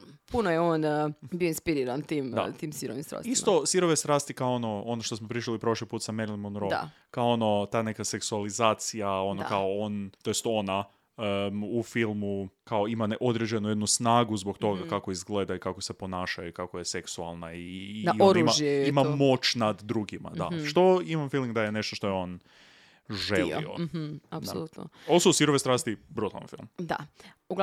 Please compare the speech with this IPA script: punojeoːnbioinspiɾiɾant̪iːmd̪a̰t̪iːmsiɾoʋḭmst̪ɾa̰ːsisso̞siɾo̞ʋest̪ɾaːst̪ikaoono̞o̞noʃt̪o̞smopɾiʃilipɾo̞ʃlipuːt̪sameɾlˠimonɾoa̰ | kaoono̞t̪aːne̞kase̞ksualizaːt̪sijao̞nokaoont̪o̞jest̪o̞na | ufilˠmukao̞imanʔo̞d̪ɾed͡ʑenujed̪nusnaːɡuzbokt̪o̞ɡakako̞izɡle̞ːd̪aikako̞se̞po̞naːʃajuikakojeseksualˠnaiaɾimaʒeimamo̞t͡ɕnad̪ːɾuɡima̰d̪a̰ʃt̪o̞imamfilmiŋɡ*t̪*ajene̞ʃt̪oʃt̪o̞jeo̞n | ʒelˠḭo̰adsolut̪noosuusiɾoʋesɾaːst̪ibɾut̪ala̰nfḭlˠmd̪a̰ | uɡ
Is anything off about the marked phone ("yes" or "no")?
yes